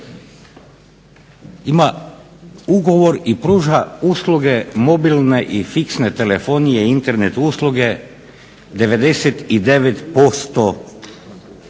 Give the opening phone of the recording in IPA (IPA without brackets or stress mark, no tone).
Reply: i